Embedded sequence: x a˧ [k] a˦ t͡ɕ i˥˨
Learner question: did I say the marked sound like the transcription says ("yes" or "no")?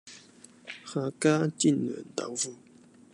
yes